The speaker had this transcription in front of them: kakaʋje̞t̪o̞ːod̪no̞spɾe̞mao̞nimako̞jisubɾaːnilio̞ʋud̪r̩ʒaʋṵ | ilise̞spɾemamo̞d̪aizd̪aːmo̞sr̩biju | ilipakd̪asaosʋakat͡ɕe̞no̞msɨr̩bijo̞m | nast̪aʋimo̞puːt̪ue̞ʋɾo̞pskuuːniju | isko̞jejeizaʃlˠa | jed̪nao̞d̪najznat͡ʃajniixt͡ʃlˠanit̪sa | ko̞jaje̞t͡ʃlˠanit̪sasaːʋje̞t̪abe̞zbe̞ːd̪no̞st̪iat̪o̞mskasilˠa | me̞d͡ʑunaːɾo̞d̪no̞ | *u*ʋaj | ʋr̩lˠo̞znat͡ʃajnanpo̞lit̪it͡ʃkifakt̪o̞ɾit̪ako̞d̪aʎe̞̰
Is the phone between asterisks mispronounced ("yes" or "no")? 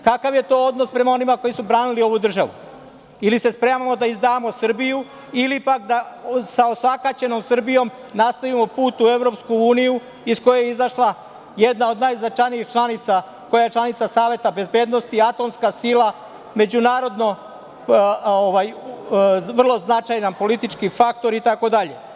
yes